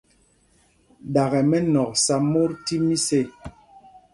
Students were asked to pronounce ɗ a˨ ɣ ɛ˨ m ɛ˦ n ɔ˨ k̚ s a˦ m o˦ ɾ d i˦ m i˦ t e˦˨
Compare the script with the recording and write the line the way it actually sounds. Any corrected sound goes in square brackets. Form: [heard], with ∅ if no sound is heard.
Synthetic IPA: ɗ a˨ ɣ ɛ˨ m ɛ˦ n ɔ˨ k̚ s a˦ m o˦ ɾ [t] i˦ m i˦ [s] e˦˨